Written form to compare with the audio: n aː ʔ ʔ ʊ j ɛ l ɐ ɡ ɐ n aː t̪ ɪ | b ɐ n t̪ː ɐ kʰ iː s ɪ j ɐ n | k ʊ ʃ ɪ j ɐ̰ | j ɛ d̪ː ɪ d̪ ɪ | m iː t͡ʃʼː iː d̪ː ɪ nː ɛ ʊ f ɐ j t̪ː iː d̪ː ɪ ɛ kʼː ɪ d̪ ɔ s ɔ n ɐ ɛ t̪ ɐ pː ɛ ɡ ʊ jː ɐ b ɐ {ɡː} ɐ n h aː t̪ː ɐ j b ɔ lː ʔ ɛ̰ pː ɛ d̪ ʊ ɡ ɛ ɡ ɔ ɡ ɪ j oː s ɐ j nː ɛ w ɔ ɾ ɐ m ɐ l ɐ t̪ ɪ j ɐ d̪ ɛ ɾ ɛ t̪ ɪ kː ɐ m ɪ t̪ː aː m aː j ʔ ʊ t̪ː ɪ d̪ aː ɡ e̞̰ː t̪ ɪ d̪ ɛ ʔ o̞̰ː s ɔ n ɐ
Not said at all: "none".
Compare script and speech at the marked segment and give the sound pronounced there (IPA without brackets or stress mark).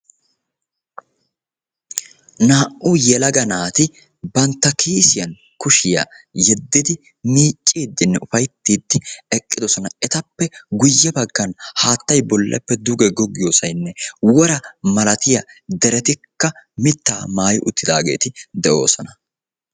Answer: ɡː